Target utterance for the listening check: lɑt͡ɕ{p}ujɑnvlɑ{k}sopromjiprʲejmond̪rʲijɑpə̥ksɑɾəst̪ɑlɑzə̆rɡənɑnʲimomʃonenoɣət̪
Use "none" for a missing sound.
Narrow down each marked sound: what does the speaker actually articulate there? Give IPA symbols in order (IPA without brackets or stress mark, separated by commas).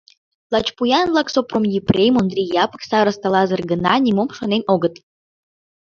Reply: p, k